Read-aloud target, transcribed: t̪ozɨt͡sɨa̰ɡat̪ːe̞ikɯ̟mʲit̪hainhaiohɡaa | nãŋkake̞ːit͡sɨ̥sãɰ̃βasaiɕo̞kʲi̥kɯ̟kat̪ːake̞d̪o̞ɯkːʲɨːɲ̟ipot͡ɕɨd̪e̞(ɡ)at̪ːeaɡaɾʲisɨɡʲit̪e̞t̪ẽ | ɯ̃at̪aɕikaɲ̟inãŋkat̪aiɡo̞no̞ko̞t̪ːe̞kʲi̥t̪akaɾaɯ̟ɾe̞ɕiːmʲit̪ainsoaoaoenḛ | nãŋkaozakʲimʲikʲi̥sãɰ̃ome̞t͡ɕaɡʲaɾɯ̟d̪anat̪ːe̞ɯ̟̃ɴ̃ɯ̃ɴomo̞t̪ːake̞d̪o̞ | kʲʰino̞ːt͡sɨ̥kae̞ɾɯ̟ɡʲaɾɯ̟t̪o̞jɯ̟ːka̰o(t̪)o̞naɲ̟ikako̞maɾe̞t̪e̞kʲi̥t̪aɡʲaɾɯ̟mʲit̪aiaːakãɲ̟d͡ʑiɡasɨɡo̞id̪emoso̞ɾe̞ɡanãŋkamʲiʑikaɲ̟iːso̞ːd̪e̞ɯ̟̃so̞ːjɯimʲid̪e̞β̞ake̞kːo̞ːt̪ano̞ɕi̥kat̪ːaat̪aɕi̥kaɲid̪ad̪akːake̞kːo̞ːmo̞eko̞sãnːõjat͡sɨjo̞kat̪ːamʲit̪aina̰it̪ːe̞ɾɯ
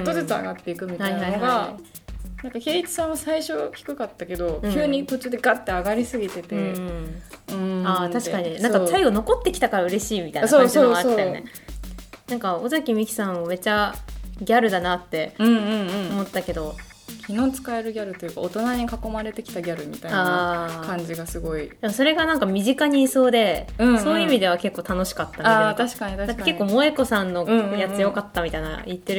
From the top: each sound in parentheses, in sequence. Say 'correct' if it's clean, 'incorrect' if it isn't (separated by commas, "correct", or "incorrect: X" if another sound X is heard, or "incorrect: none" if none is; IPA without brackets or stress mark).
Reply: correct, correct